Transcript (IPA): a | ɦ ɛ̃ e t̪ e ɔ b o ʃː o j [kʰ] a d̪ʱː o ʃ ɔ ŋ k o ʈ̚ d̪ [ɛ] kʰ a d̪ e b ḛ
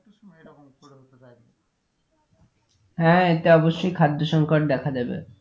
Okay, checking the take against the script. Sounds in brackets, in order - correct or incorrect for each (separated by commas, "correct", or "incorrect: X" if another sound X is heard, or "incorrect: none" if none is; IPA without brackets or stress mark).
correct, correct